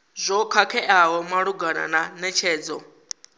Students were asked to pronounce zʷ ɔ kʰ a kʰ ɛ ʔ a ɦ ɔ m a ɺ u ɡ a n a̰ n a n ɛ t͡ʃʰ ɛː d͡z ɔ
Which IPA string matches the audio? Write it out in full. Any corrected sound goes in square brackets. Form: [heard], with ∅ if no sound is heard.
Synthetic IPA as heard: zʷ ɔ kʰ a kʰ ɛ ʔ a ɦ ɔ m a ɺ u ɡ a n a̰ n a n ɛ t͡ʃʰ ɛː d͡z ɔ